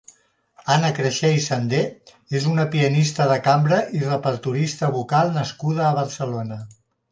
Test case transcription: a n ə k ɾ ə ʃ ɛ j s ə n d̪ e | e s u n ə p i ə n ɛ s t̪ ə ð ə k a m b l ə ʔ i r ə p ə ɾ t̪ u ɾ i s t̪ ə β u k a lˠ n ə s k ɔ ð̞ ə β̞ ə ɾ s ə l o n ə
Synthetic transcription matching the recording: a n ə k ɾ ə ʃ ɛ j s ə n d̪ e | e z u n ə p i ə n i s t̪ ə ð ə k a m b ɾ ə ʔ i r ə p ə ɾ t̪ u ɾ i s t̪ ə β u k a lˠ n ə s k u ð̞ əː β̞ ə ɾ s ə l o n ə